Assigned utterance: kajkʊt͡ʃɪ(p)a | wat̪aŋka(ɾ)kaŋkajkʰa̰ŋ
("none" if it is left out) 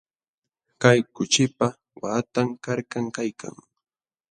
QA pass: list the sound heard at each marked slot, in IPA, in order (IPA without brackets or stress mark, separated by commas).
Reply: p, ɾ